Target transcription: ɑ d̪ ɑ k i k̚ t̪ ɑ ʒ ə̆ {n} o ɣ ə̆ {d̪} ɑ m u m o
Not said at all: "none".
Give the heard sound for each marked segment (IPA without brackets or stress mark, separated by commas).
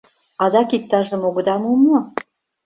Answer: m, d̪